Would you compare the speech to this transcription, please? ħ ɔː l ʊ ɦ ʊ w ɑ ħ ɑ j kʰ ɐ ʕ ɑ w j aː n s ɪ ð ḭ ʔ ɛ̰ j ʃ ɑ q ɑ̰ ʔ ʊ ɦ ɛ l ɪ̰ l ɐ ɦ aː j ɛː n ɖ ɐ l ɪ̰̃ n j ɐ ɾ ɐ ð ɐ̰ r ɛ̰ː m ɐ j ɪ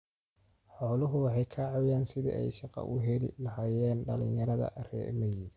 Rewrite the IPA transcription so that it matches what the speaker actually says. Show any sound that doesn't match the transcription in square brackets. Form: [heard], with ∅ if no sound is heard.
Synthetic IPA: ħ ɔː l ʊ ɦ ʊ w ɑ ħ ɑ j kʰ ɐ ʕ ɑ w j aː n s ɪ ð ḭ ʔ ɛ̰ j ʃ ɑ q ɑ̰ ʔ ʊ ɦ ɛ l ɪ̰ l ɐ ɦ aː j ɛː n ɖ ɐ l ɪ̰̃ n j ɐ ɾ ɐ ð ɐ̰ r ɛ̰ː m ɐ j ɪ

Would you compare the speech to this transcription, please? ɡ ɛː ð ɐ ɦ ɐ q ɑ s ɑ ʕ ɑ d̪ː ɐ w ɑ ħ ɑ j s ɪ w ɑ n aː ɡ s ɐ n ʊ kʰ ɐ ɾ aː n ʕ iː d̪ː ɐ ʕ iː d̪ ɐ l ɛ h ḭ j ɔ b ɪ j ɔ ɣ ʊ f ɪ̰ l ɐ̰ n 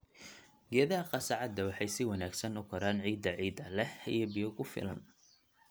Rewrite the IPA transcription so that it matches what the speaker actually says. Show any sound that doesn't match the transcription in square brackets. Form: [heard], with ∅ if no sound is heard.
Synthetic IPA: ɡ ɛː ð ɐ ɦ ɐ q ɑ s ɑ ʕ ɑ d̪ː ɐ w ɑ ħ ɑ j s ɪ w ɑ n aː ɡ s ɐ n ʊ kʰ ɐ ɾ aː n ʕ iː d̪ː ɐ ʕ iː d̪ ɐ l ɛ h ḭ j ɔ b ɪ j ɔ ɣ ʊ f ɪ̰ l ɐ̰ n

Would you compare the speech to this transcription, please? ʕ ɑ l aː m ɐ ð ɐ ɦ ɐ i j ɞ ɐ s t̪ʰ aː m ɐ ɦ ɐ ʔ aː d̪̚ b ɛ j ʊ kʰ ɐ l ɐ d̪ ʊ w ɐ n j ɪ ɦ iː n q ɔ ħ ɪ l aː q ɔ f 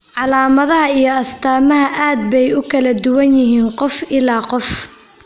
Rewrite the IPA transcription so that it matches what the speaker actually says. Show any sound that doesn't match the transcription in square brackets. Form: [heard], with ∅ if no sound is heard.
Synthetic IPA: ʕ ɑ l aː m ɐ ð ɐ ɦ ɐ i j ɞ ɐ s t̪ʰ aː m ɐ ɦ ɐ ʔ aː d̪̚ b ɛ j ʊ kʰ ɐ l ɐ d̪ ʊ w ɐ n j ɪ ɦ iː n q ɔ [f] ɪ l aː q ɔ f

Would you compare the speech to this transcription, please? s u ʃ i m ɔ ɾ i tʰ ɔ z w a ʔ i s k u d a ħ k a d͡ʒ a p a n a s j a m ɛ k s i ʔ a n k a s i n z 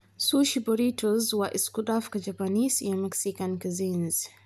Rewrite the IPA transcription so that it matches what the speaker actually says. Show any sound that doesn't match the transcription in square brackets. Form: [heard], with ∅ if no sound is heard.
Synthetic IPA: s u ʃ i [b] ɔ ɾ i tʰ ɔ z w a ʔ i s k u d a [f] k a d͡ʒ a p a n [i] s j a m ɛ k s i [k] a n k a [z] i n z

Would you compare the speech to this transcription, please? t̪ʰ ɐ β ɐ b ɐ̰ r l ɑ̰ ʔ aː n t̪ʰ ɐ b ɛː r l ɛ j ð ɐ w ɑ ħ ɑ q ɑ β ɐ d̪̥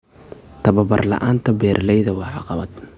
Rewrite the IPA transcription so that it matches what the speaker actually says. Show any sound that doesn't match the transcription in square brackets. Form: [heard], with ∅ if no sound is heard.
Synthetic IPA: t̪ʰ ɐ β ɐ b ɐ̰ r l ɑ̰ ʔ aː n t̪ʰ ɐ b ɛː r l ɛ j ð ɐ w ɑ ħ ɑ q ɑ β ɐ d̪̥

